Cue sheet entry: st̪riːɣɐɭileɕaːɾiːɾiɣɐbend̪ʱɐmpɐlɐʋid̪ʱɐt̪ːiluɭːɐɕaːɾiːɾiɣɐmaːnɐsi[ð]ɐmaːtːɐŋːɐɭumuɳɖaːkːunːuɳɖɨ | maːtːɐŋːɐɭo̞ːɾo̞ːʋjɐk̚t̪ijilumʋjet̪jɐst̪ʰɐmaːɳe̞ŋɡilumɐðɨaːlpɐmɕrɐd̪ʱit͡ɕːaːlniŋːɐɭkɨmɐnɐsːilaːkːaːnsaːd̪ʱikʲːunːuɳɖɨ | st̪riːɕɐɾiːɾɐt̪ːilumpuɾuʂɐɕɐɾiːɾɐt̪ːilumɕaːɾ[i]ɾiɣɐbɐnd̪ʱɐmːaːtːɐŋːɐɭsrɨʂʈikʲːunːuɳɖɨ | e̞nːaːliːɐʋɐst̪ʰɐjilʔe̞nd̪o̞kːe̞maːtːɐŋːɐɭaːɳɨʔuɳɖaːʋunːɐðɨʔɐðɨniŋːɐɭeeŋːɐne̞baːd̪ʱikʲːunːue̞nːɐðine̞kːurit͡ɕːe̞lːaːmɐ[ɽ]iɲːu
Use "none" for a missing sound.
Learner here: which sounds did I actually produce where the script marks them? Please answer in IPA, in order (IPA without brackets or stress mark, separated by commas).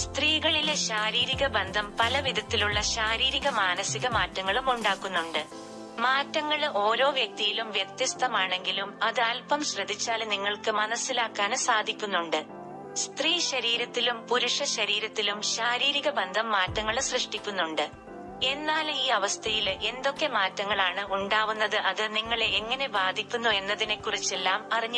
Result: ɣ, iː, r